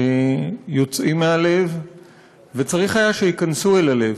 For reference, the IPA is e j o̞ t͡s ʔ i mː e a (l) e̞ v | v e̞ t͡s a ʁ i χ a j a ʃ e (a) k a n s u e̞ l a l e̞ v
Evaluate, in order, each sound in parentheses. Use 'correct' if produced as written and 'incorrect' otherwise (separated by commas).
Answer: correct, incorrect